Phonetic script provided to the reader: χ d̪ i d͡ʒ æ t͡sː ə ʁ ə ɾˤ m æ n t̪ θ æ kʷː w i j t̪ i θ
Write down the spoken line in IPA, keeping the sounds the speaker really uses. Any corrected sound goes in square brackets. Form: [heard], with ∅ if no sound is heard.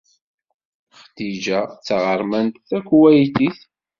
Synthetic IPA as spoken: χ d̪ i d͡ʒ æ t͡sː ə ʁ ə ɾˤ m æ n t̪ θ æ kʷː w [æ] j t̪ i θ